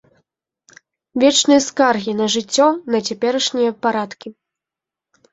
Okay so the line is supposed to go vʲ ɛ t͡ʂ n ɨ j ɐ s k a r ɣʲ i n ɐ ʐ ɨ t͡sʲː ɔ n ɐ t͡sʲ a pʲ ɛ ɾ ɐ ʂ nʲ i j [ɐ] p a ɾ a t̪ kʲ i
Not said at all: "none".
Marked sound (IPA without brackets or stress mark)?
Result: ɐ